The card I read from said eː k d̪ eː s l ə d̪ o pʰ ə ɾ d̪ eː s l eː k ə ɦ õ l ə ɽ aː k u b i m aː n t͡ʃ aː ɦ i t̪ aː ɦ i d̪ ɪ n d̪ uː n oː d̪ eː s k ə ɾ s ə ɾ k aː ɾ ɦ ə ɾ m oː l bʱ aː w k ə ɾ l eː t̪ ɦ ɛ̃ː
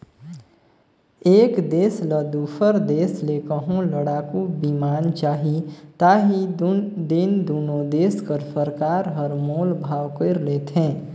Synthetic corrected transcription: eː k d̪ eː s l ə d̪ u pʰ ə ɾ d̪ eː s l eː k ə ɦ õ l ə ɽ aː k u b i m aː n t͡ʃ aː ɦ i t̪ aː ɦ i d̪ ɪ n d̪ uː n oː d̪ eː s k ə ɾ s ə ɾ k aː ɾ ɦ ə ɾ m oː l bʱ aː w k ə ɾ l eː t̪ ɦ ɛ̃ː